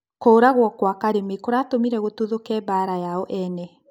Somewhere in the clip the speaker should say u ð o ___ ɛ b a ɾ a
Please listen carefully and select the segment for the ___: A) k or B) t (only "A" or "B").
A